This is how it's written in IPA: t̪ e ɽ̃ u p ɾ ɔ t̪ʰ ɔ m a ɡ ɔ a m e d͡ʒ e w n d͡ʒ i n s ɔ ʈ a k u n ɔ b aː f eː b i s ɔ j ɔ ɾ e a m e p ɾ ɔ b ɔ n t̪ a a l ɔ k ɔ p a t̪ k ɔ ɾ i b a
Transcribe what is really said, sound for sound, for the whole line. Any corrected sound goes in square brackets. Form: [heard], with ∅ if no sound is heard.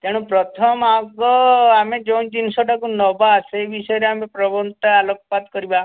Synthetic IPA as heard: t̪ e ɽ̃ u p ɾ ɔ t̪ʰ ɔ m a ɡ ɔ a m e d͡ʒ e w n d͡ʒ i n s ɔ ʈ a k u n ɔ b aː [s] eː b i s ɔ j ɔ ɾ e a m e p ɾ ɔ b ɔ n t̪ a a l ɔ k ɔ p a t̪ k ɔ ɾ i b a